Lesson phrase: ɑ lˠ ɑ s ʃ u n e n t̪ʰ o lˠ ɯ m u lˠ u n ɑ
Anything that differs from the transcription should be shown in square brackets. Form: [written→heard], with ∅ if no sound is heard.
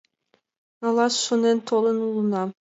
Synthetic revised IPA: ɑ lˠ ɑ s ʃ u n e n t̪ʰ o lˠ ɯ [m→n] u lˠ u n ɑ